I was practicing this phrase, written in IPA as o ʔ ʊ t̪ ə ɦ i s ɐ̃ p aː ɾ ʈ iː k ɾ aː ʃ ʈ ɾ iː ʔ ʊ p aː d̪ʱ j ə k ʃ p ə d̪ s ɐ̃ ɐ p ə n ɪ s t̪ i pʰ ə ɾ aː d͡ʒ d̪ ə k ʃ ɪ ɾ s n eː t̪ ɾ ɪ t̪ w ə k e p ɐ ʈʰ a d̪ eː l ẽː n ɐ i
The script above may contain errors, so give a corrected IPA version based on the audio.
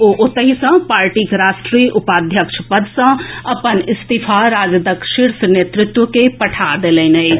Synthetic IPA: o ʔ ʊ t̪ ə ɦ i s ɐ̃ p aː ɾ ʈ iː k ɾ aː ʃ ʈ ɾ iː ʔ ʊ p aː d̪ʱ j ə k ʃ p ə d̪ s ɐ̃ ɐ p ə n ɪ s t̪ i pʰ a ɾ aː d͡ʒ d̪ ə k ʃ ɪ ɾ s n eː t̪ ɾ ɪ t̪ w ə k e p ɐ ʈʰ a d̪ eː l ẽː n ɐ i